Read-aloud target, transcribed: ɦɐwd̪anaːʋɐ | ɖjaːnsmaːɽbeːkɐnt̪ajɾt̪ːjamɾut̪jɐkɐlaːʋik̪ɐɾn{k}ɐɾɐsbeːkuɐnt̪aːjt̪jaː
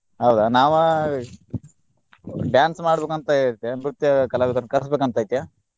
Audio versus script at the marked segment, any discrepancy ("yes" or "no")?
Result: no